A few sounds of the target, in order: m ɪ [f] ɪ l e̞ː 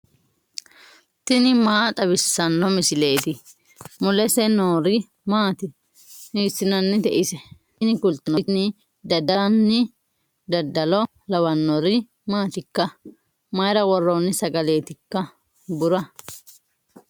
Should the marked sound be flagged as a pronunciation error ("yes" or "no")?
yes